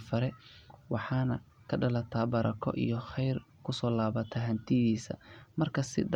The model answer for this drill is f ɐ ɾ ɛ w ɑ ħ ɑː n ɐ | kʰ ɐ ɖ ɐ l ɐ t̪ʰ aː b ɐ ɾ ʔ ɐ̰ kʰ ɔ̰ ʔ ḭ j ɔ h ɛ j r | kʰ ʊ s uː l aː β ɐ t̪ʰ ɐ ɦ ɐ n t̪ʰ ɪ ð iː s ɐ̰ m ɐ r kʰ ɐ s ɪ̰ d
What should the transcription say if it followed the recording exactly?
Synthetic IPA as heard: f ɐ ɾ ɛ w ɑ ħ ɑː n ɐ | kʰ ɐ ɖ ɐ l ɐ t̪ʰ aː b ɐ ɾ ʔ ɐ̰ kʰ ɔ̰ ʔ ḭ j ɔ χ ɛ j r | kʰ ʊ s ɔː l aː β ɐ t̪ʰ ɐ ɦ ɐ n t̪ʰ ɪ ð iː s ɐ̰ m ɐ r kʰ ɐ s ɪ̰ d

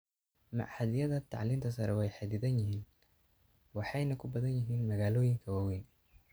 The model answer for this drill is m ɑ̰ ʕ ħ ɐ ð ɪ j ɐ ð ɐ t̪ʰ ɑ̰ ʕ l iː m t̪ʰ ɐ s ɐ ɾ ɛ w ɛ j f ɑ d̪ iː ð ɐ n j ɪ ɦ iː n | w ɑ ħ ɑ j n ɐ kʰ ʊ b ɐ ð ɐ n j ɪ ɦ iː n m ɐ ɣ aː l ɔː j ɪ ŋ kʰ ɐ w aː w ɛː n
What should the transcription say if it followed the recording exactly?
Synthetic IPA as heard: m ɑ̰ ʕ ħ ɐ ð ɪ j ɐ ð ɐ t̪ʰ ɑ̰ ʕ l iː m t̪ʰ ɐ s ɐ ɾ ɛ w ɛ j ħ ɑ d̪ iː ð ɐ n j ɪ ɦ iː n | w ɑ ħ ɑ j n ɐ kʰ ʊ b ɐ ð ɐ n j ɪ ɦ iː n m ɐ ɣ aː l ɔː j ɪ ŋ kʰ ɐ w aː w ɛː n

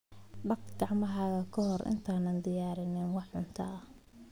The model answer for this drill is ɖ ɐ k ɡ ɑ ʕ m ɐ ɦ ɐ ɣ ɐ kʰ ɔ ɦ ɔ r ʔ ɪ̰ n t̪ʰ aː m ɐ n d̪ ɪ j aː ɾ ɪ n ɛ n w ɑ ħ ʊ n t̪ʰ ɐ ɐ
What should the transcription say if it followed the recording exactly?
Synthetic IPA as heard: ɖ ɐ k ɡ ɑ ʕ m ɐ ɦ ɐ ɣ ɐ kʰ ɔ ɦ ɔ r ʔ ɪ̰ n t̪ʰ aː n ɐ n d̪ ɪ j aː ɾ ɪ n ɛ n w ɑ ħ ʊ n t̪ʰ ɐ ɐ

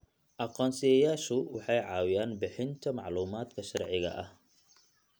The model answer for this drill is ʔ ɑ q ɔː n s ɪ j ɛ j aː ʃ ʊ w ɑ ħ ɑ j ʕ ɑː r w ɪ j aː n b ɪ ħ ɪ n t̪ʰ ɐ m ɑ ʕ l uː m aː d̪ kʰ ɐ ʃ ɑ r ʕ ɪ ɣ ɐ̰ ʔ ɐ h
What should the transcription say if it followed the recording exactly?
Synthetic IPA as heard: ʔ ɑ q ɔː n s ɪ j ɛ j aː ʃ ʊ w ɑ ħ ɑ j ʕ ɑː w ɪ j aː n b ɪ ħ ɪ n t̪ʰ ɐ m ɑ ʕ l uː m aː d̪ kʰ ɐ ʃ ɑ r ʕ ɪ ɣ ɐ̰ ʔ ɐ h

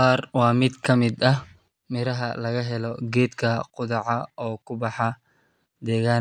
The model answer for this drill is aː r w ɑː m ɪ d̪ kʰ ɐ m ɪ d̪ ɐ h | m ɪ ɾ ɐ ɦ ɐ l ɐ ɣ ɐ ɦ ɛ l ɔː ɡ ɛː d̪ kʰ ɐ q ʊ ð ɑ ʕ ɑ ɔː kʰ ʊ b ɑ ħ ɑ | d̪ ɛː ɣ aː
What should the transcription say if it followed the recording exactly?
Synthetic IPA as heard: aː r w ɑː m ɪ d̪ kʰ ɐ m ɪ d̪ ɐ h | m ɪ ɾ ɐ ɦ ɐ l ɐ ɣ ɐ ɦ ɛ l ɔ ɡ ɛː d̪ kʰ ɐ q ʊ ð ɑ ʕ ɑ ɔː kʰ ʊ b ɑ ħ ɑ | d̪ ɛː ɣ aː

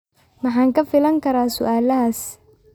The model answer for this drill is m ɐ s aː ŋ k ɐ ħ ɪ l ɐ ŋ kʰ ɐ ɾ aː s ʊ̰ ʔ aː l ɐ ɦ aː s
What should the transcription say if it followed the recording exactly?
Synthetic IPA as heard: m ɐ ħ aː ŋ k ɐ f ɪ l ɐ ŋ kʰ ɐ ɾ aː s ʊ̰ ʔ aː l ɐ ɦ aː s

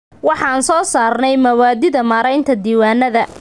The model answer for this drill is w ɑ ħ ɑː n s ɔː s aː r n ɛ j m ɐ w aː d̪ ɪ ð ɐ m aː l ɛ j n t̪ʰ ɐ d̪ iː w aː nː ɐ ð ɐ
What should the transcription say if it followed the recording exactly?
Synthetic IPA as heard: w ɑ ħ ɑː n s ɔː s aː r n ɛ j m ɐ w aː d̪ ɪ ð ɐ m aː ɾ ɛ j n t̪ʰ ɐ d̪ iː w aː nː ɐ ð ɐ

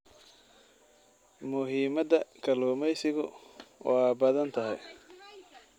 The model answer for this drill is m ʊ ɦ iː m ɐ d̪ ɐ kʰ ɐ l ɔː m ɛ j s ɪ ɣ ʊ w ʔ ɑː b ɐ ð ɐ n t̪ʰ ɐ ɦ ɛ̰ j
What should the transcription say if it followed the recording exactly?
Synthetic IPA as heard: m ʊ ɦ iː m ɐ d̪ ɐ kʰ ɐ l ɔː m ɛ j s ɪ ɣ ʊ w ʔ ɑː b ɐ ð ɐ n t̪ʰ ɐ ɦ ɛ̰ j

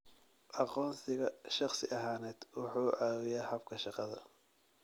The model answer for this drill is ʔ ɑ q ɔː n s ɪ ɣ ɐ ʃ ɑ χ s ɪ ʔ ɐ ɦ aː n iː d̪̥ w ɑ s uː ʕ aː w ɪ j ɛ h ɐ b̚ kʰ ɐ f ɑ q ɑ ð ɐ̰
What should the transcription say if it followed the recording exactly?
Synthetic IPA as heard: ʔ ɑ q ɔː n s ɪ ɣ ɐ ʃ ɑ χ s ɪ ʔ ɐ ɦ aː n ɛː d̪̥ w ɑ ħ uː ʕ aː w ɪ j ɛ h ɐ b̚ kʰ ɐ ʃ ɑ q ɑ ð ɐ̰

